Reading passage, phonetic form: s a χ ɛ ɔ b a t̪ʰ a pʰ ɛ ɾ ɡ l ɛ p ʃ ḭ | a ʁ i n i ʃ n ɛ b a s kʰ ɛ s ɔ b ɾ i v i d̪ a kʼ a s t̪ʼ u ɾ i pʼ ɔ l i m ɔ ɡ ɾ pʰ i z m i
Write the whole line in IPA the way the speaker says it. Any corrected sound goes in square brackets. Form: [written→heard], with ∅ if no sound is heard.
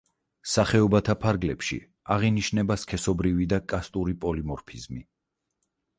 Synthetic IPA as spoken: s a χ ɛ ɔ b a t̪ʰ a pʰ [ɛ→a] ɾ ɡ l ɛ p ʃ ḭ | a ʁ i n i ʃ n ɛ b a s kʰ ɛ s ɔ b ɾ i v i d̪ a kʼ a s t̪ʼ u ɾ i pʼ ɔ l i m ɔ [ɡ→∅] ɾ pʰ i z m i